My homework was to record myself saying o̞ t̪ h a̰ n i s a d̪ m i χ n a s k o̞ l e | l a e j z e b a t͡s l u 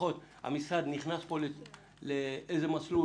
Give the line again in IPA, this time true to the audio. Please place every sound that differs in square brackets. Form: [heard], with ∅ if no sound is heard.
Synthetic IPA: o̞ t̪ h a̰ [m] i s a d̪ [n] i χ n a s [p] o̞ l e | l [e] e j z e [m] a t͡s l u